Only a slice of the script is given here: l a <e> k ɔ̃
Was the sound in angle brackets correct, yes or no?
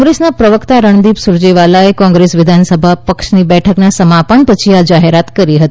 yes